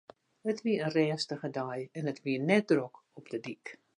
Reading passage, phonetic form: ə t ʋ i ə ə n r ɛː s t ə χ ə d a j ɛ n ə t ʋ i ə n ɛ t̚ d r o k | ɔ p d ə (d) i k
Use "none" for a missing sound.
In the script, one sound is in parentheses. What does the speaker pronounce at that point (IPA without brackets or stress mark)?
d